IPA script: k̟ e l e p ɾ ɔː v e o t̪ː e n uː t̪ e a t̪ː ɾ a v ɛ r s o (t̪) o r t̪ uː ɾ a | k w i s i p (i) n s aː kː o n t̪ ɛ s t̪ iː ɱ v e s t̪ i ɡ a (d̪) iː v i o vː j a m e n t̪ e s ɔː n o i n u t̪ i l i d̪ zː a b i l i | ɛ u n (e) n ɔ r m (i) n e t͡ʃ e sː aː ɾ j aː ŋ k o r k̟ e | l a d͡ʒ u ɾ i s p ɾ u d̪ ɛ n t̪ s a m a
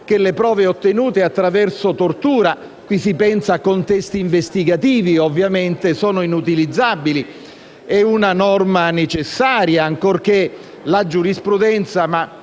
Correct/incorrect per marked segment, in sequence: correct, incorrect: ɛ, incorrect: t̪, incorrect: a, incorrect: a

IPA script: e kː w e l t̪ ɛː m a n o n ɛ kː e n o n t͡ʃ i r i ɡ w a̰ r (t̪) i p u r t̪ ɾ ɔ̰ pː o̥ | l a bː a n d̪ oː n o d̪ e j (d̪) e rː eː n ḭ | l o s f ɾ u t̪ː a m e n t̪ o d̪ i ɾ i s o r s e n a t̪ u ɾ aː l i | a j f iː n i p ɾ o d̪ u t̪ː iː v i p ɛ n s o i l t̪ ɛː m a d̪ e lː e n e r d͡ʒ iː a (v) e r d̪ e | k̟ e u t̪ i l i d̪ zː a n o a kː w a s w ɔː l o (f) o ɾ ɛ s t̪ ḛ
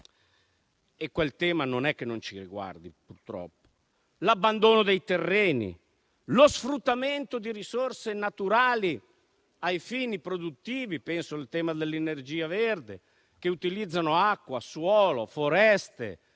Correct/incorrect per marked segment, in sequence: incorrect: d̪, incorrect: t̪, correct, correct

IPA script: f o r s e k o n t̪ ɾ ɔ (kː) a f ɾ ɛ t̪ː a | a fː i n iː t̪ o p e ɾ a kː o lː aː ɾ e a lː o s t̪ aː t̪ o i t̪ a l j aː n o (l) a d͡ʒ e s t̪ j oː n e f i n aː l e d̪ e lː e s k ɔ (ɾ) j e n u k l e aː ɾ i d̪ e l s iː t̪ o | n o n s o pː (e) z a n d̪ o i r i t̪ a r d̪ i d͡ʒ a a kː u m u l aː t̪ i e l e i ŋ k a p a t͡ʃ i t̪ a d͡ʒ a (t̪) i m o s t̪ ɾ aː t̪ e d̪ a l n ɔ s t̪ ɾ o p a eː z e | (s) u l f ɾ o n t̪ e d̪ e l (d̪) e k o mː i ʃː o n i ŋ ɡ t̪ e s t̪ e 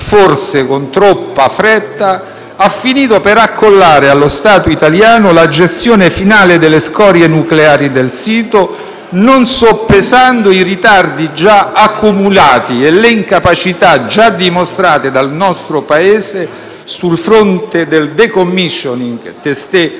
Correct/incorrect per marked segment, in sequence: incorrect: pː, correct, correct, correct, incorrect: d̪, correct, correct

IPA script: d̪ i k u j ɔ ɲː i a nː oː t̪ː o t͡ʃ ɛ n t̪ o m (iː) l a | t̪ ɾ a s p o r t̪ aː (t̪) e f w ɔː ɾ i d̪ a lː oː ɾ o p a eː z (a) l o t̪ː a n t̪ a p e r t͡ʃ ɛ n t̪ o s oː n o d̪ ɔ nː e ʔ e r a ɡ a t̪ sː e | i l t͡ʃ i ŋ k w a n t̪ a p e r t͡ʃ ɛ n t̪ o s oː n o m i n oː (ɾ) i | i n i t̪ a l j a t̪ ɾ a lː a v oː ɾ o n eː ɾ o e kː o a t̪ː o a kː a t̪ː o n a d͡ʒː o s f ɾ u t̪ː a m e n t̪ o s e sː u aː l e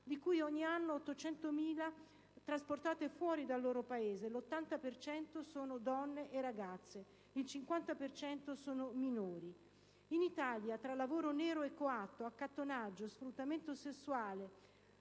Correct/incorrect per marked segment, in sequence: correct, correct, incorrect: e, correct

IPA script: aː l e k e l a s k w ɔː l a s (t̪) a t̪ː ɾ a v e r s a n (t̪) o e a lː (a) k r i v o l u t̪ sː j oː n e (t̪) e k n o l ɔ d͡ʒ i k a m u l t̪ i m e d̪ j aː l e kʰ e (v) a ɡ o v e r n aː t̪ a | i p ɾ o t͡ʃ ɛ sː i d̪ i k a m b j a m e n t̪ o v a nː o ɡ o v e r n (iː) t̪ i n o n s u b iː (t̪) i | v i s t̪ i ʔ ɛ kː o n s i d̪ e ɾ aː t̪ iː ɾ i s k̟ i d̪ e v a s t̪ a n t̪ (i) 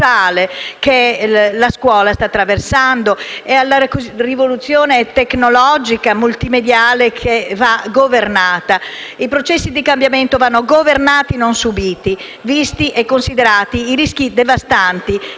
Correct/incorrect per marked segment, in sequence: correct, incorrect: d̪, correct, correct, correct, incorrect: aː, correct, correct

